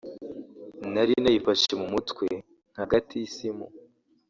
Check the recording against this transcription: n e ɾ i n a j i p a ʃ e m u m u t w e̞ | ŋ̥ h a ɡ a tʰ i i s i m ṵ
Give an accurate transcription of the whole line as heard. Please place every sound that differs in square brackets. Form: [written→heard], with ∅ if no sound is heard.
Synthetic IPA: n [e→a] ɾ i n a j i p a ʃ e m u m u t w e̞ | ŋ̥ h a ɡ a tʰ i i s i m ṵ